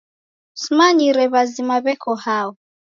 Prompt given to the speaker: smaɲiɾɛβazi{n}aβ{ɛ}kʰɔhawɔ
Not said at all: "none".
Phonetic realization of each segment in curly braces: m, ɛ

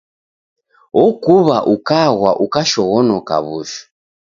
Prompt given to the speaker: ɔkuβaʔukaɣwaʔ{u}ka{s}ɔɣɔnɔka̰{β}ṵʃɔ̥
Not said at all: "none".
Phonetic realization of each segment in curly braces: u, ʃ, β

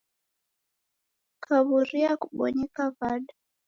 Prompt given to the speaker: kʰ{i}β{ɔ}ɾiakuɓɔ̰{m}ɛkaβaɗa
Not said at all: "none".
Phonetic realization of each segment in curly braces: a, u, ɲ

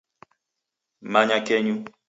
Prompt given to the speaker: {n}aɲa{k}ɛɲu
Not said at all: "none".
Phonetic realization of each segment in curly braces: m, k

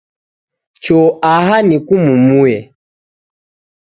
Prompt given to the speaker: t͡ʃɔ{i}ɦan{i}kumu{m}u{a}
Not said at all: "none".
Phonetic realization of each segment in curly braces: a, i, m, ɛ

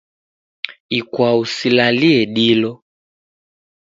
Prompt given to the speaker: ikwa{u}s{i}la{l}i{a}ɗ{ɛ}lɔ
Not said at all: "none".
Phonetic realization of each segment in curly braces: u, i, l, ɛ, i

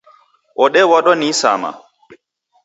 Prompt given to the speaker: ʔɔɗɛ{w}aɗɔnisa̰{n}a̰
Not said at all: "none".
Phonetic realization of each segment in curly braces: w, m

